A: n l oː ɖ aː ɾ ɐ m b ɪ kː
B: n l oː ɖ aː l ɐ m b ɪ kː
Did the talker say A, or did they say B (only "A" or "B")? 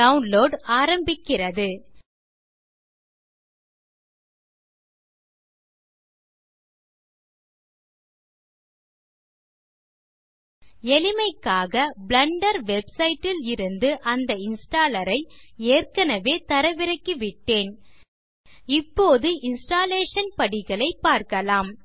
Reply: A